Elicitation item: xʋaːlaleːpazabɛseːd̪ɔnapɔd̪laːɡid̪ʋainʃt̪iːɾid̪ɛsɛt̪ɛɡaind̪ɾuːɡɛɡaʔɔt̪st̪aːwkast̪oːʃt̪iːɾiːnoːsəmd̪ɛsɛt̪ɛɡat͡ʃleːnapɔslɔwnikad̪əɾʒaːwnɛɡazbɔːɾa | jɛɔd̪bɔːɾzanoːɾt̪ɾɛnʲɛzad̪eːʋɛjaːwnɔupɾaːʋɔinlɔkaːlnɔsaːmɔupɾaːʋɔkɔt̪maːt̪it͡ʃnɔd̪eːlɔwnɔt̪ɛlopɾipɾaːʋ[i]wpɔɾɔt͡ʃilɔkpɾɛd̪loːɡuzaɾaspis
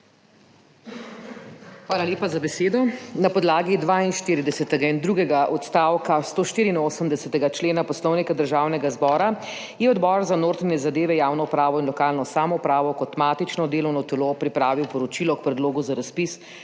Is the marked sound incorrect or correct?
correct